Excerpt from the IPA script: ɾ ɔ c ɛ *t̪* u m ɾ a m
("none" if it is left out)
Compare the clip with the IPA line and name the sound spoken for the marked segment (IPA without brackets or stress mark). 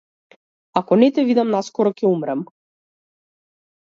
none